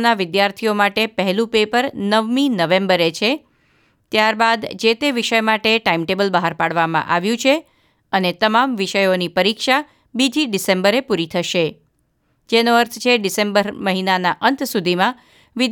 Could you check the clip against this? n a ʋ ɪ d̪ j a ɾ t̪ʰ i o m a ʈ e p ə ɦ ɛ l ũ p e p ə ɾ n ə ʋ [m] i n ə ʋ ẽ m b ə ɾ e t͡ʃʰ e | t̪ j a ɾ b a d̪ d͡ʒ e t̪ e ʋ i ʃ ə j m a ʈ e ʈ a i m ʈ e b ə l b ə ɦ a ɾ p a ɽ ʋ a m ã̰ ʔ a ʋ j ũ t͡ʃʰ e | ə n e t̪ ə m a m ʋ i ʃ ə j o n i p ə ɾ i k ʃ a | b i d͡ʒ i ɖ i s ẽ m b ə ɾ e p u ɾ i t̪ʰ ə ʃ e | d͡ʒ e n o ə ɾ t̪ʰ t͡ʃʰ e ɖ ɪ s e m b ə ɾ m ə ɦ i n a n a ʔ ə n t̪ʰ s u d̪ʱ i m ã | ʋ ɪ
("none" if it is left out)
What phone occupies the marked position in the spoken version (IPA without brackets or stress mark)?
m